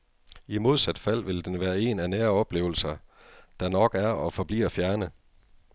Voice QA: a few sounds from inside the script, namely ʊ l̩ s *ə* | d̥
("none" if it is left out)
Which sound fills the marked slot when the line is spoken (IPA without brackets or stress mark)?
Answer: ɐ